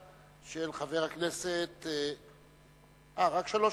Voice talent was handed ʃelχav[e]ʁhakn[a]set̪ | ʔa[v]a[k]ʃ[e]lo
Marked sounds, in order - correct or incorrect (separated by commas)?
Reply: correct, incorrect, incorrect, correct, incorrect